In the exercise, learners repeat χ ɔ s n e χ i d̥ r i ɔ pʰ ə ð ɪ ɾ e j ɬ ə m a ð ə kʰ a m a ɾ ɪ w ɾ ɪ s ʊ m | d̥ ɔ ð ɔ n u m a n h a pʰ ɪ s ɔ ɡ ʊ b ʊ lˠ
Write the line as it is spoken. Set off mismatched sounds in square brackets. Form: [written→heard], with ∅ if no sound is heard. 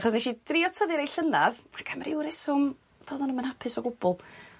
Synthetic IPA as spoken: χ ɔ s n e [χ→ʃ] i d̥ r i ɔ [pʰ→tʰ] ə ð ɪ ɾ e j ɬ ə [m→n] a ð [ə→a] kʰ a m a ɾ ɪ w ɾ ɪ s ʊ m | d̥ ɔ ð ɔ n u m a n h a pʰ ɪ s ɔ ɡ ʊ b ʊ lˠ